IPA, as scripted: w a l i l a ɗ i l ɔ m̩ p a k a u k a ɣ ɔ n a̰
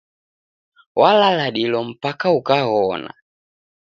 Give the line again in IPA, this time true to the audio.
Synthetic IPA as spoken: w a l a l a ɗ i l ɔ m̩ p a k a u k a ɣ ɔ n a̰